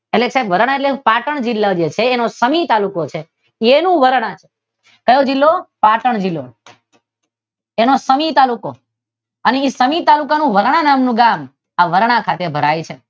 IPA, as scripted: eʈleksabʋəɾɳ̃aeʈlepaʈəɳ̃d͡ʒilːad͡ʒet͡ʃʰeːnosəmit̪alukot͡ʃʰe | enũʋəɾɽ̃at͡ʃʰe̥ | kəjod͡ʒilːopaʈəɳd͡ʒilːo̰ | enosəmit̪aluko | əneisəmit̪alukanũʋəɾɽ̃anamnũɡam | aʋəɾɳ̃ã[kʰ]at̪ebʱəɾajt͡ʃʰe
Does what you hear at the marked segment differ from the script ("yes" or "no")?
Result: no